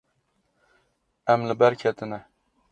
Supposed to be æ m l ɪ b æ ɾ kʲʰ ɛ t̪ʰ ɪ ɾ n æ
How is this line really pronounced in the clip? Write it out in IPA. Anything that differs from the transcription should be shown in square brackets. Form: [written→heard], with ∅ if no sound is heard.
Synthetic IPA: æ m l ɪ b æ ɾ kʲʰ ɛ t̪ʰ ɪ [ɾ→∅] n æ

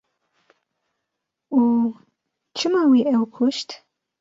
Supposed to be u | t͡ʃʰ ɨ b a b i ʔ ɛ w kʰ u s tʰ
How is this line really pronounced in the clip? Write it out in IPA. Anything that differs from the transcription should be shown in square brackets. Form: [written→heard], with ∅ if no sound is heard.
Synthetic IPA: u | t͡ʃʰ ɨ [b→m] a [b→w] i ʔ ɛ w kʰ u [s→ʃ] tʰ

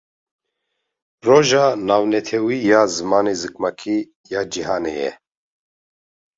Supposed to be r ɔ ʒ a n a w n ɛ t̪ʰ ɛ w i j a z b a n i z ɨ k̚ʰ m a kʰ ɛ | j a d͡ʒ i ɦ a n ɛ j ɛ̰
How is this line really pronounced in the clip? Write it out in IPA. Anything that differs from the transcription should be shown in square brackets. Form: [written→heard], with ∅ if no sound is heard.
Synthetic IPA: r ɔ ʒ a n a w n ɛ t̪ʰ ɛ w i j a z [b→m] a n i z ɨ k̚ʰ m a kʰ [ɛ→i] | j a d͡ʒ i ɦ a n ɛ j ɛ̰

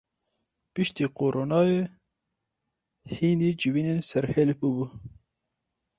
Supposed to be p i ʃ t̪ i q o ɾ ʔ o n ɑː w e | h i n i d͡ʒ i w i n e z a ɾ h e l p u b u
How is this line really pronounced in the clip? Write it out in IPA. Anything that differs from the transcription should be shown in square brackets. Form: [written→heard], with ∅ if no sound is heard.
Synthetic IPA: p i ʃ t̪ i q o ɾ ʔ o n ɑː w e | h i n i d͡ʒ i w i n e [z→s] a ɾ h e l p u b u

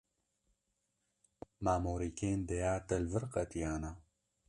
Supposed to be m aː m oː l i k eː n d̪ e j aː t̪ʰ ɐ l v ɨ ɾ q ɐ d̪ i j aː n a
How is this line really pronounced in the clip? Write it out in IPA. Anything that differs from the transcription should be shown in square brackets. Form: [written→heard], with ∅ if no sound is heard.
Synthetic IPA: m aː m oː [l→ɾ] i k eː n d̪ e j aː [t̪ʰ→t̪] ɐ l v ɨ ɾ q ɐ [d̪→t̪] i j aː n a

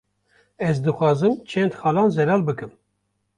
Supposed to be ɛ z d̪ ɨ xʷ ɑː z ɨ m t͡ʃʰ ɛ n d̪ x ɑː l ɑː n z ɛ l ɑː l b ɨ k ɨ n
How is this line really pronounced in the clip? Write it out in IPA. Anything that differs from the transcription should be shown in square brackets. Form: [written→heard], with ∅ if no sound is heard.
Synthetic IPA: ɛ z d̪ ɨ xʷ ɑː z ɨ m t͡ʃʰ ɛ n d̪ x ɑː l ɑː n z ɛ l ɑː l b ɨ k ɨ [n→m]

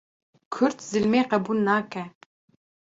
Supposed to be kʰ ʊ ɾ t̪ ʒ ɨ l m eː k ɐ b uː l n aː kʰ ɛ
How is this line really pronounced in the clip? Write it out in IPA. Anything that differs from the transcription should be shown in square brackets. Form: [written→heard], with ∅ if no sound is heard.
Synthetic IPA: kʰ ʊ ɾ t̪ [ʒ→z] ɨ l m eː [k→q] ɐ b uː l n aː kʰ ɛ

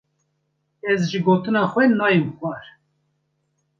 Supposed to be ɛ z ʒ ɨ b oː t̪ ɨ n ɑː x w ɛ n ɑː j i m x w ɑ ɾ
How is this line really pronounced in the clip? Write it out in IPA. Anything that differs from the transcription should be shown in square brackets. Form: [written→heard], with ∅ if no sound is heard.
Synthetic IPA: ɛ z ʒ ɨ [b→ɡ] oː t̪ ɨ n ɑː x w ɛ n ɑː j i m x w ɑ ɾ

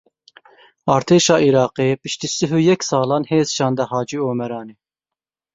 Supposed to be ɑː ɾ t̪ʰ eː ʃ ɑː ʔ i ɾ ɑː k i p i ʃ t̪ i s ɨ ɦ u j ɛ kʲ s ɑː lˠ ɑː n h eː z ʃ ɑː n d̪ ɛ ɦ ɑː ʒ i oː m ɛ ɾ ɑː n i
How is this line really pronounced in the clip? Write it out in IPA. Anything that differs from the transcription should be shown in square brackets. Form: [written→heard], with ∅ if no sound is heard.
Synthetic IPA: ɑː ɾ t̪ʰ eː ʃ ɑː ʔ i ɾ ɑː [k→q] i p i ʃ t̪ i s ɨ ɦ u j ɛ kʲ s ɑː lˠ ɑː n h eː z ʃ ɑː n d̪ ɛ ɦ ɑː [ʒ→d͡ʒ] i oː m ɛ ɾ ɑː n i

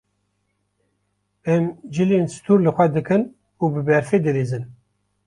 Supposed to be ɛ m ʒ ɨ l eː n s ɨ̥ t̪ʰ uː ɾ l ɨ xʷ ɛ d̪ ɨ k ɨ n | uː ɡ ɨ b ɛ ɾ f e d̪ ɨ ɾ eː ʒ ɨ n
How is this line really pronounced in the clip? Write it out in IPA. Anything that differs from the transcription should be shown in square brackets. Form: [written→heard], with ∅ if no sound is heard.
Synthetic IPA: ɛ m [ʒ→d͡ʒ] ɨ l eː n s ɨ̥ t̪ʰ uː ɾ l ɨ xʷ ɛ d̪ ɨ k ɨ n | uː [ɡ→b] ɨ b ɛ ɾ f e d̪ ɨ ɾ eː [ʒ→z] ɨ n

